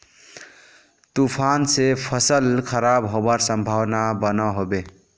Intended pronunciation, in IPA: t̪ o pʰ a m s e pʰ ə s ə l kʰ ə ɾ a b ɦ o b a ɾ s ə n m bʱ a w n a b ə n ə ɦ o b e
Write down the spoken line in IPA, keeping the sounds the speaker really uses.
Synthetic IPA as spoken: t̪ u pʰ a n s e pʰ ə s ə l kʰ ə ɾ a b ɦ o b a ɾ s ə m bʱ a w n a b ə n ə ɦ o b e